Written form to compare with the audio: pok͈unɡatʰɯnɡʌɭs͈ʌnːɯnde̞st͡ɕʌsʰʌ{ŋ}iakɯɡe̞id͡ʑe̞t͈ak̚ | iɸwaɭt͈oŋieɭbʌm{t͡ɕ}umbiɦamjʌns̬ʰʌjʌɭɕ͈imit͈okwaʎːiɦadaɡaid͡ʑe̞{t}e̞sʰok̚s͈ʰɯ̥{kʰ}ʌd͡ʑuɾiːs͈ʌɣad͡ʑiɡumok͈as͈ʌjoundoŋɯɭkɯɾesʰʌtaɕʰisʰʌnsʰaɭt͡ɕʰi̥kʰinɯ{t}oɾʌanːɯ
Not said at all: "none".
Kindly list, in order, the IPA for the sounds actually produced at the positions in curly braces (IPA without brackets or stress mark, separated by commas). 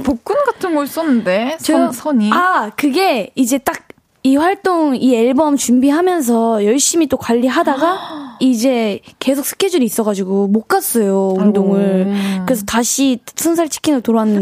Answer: ɲ, t͡ɕ, k, kʰ, t